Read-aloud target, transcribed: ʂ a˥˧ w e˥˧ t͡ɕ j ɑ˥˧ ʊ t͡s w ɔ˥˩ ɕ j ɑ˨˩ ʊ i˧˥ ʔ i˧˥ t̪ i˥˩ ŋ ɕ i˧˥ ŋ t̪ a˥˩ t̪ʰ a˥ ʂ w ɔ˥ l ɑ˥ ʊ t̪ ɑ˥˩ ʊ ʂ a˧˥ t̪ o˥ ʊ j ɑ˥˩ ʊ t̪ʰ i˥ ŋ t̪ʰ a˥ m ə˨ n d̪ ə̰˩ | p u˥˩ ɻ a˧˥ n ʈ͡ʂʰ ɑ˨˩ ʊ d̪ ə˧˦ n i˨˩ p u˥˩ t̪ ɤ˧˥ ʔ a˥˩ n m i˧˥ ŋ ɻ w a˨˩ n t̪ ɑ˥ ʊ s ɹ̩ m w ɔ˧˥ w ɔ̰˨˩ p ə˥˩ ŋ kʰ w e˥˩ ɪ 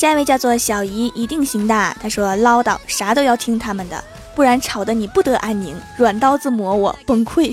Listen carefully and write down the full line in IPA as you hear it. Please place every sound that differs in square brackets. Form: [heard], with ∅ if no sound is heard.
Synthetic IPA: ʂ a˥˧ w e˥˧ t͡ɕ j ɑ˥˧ ʊ t͡s w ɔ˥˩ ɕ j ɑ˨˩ ʊ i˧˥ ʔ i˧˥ t̪ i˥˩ ŋ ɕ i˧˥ ŋ t̪ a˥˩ t̪ʰ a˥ ʂ w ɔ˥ l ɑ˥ ʊ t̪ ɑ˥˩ ʊ ʂ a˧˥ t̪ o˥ ʊ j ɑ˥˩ ʊ t̪ʰ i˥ ŋ t̪ʰ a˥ m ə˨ n d̪ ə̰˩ | p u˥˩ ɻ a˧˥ n ʈ͡ʂʰ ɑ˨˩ ʊ d̪ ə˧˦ n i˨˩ p u˥˩ t̪ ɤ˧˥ ʔ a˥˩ n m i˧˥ ŋ ɻ w a˨˩ n t̪ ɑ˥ ʊ [t͡s] ɹ̩ m w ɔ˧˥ w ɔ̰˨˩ p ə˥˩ ŋ kʰ w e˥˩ ɪ